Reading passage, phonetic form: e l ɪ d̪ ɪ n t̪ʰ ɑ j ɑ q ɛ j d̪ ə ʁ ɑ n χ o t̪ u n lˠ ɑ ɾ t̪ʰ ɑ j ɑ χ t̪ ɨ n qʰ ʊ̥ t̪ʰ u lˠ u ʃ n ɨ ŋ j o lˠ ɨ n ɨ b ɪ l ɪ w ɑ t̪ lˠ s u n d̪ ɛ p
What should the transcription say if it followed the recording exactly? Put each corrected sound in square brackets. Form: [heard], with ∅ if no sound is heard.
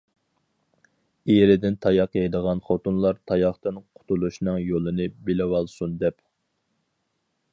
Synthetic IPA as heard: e [ɾ] ɪ d̪ ɪ n t̪ʰ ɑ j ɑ q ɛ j d̪ ə ʁ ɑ n χ o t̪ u n lˠ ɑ ɾ t̪ʰ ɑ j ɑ χ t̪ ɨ n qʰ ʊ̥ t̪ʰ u lˠ u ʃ n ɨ ŋ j o lˠ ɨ n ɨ b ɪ l ɪ w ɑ [∅] lˠ s u n d̪ ɛ p